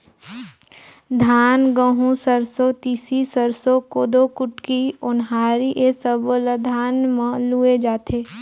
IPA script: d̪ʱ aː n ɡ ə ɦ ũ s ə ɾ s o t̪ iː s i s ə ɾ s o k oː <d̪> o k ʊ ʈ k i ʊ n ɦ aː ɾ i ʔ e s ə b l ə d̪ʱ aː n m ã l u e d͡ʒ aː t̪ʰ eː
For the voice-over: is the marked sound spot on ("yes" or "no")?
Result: yes